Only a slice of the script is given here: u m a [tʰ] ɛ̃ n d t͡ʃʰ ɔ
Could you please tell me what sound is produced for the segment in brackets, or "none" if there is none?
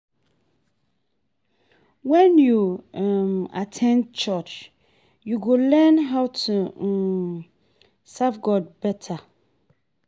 tʰ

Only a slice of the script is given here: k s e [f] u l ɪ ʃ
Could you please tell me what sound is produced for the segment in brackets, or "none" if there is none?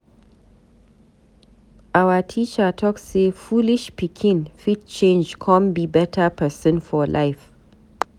f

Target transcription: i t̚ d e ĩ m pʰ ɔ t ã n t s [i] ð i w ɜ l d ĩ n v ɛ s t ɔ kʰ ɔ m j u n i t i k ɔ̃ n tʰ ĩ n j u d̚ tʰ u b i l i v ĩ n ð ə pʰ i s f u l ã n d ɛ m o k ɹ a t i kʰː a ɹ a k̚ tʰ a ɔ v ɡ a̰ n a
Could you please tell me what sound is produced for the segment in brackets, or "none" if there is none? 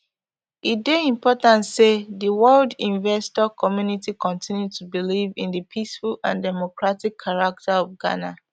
e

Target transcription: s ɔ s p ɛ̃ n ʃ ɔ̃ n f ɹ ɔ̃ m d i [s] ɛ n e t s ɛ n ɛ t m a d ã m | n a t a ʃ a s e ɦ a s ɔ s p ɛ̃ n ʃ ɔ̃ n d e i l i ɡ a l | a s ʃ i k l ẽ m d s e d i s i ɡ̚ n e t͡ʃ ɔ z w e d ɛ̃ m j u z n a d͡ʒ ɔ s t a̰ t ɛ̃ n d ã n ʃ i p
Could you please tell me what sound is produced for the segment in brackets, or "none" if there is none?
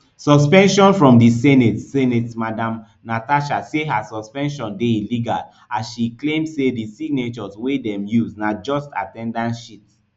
s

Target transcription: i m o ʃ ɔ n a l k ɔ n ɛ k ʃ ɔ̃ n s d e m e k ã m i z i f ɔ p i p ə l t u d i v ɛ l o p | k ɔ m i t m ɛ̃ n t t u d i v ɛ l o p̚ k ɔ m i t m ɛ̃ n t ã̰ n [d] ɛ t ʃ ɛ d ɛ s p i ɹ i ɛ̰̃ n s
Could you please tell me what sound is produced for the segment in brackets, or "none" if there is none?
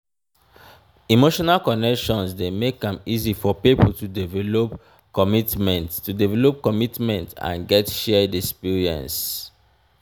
ɡ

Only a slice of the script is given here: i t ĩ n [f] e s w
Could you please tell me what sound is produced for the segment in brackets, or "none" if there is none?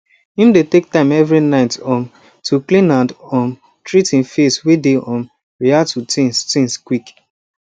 f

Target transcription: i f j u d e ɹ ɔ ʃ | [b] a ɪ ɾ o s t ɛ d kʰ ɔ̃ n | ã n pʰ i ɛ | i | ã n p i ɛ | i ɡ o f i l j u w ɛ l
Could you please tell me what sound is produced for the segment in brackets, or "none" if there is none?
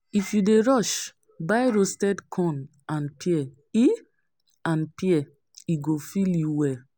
b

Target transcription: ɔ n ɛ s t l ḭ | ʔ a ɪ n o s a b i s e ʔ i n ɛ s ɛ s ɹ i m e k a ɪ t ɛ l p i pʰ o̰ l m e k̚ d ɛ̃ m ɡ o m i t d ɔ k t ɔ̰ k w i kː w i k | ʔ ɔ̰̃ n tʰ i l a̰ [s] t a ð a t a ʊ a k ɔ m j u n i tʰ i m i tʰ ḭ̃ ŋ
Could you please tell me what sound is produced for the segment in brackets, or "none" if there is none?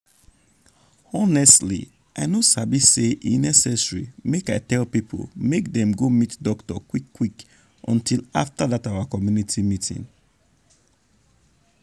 f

